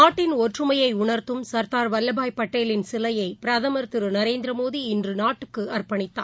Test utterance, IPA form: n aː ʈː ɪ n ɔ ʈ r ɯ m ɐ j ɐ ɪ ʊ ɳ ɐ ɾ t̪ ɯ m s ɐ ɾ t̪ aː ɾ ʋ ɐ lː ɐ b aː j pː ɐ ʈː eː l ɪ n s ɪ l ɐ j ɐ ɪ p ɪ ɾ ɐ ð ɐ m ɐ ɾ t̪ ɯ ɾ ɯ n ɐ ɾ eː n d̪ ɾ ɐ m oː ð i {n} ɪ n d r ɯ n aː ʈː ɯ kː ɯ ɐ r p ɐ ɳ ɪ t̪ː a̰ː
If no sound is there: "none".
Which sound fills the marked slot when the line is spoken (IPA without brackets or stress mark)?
none